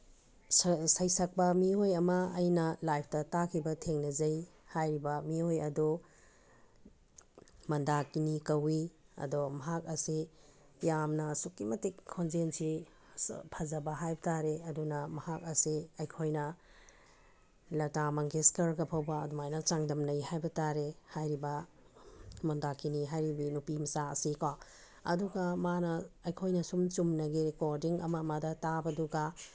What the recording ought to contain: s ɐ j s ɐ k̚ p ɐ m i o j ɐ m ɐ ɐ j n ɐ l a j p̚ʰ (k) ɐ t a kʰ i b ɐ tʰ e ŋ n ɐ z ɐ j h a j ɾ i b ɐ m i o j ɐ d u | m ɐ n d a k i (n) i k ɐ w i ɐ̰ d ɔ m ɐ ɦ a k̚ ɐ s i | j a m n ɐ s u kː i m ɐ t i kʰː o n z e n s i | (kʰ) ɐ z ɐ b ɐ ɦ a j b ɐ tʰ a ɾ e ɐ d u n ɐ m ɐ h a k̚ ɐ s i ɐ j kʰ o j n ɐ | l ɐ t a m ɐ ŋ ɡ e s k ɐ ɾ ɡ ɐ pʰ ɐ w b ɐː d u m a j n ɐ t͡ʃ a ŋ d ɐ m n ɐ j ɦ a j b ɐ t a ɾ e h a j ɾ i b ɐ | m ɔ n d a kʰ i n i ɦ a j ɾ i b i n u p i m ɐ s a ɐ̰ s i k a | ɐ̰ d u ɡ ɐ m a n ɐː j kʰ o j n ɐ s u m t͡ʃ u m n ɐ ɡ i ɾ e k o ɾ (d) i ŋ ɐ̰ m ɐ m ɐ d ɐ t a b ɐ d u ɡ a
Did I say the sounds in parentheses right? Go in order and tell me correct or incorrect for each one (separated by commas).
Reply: incorrect, correct, incorrect, correct